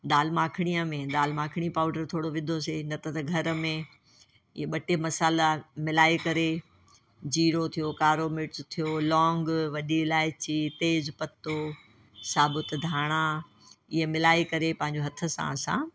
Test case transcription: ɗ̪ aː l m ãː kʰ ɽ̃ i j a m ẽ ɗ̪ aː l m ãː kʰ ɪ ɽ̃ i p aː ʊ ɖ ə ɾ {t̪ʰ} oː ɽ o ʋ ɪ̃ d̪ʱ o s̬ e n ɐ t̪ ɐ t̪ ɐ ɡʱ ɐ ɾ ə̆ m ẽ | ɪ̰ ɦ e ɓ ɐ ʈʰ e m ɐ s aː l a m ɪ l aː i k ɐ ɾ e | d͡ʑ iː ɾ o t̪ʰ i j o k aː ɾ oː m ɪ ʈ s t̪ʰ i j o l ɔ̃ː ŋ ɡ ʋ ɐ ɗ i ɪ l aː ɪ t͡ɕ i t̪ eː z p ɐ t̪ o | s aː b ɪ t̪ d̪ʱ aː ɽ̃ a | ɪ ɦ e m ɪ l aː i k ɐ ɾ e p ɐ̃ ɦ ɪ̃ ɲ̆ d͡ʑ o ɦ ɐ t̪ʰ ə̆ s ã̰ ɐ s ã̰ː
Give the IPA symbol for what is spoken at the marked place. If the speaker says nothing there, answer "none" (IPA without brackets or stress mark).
t̪ʰ